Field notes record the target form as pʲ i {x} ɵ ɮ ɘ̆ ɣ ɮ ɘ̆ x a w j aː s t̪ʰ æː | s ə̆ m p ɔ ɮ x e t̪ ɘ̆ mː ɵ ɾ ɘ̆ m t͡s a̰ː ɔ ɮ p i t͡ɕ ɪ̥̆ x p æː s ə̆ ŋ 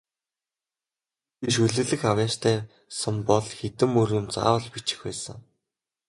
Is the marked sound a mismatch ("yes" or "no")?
yes